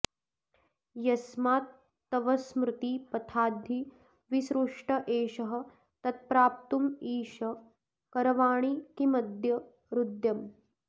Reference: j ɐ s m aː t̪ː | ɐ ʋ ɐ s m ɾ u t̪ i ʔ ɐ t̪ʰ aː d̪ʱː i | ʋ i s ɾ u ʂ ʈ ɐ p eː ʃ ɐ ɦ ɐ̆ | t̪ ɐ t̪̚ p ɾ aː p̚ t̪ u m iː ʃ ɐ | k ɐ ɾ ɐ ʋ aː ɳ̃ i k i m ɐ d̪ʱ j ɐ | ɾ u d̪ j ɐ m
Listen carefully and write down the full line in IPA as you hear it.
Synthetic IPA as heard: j ɐ s m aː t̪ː | ɐ ʋ ɐ s m ɾ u t̪ i p ɐ t̪ʰ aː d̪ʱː i | ʋ i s ɾ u ʂ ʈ ɐ ʔ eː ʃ ɐ ɦ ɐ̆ | t̪ ɐ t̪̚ p ɾ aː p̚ t̪ u m iː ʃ ɐ | k ɐ ɾ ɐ ʋ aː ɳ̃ i k i m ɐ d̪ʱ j ɐ | ɾ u d̪ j ɐ m